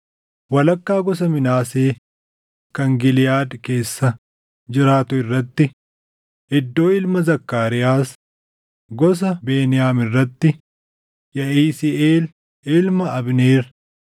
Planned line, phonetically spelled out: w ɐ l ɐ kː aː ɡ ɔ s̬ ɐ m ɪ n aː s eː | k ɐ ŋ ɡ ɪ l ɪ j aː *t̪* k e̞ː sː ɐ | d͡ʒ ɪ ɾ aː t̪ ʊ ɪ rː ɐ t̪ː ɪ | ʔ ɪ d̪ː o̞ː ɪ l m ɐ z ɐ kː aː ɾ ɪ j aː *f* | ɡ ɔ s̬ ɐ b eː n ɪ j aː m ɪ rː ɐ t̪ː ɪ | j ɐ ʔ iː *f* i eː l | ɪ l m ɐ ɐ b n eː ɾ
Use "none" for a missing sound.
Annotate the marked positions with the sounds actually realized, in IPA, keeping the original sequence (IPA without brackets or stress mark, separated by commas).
d̪, s, s